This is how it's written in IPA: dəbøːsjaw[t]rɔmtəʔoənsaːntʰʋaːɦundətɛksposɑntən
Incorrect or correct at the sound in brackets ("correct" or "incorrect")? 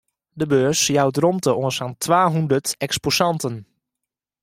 incorrect